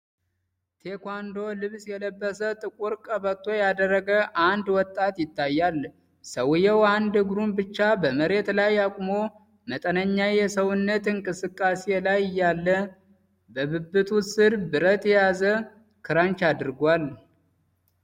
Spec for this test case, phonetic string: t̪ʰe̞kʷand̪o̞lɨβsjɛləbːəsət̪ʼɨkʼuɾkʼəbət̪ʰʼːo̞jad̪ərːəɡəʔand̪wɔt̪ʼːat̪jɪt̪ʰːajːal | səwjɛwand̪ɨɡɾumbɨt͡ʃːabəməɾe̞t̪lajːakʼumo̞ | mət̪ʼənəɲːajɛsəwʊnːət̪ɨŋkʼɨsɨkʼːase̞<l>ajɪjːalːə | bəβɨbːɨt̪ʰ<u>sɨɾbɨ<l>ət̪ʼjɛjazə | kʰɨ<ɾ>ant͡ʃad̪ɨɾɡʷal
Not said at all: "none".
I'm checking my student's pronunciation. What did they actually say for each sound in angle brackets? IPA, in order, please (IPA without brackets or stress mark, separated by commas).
l, u, ɾ, ɾ